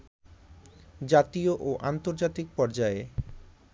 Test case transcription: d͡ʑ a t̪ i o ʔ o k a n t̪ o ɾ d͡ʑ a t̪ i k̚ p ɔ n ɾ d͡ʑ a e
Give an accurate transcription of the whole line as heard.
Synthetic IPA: d͡ʑ a t̪ i o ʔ o ʔ a n t̪ o ɾ d͡ʑ a t̪ i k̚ p ɔ ɾ d͡ʑ a e